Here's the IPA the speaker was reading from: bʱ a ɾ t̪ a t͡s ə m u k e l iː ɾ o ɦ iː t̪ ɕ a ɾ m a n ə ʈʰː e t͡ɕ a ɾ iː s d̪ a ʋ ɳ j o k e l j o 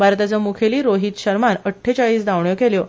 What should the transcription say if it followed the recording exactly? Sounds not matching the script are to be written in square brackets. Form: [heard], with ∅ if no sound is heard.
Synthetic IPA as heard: bʱ a ɾ t̪ a t͡s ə m u [kʰ] e l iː ɾ o ɦ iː t̪ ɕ [ə] ɾ m a n ə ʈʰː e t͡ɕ a [ɭ] iː s d̪ a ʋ ɳ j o k e l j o